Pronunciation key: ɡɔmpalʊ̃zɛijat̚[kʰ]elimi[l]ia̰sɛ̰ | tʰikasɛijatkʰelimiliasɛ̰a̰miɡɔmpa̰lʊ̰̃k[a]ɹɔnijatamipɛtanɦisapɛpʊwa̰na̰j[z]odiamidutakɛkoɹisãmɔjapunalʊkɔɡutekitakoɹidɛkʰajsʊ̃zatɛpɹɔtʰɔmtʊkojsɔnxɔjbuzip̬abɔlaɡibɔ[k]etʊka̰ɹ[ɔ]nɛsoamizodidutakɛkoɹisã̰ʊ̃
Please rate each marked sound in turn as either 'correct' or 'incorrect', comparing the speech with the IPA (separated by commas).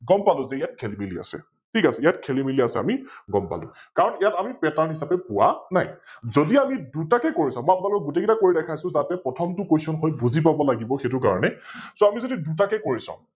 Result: correct, correct, correct, correct, incorrect, correct